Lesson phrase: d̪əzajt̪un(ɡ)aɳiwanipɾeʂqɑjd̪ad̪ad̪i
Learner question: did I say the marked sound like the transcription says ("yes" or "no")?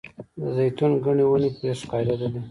yes